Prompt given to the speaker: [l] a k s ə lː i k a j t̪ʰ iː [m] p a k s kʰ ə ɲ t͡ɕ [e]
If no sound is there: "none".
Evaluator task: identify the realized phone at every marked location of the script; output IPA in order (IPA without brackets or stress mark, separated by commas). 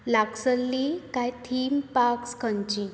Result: l, m, i